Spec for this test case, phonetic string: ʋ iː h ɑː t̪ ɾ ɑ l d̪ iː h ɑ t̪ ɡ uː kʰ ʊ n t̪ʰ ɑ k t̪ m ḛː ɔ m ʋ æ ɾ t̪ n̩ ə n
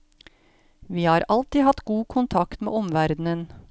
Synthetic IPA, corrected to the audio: ʋ iː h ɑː ɾ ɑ l t̪ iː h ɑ t̪ ɡ uː kʰ ʊ n t̪ʰ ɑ k t̪ m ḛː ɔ m ʋ æ ɾ d̪ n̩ ə n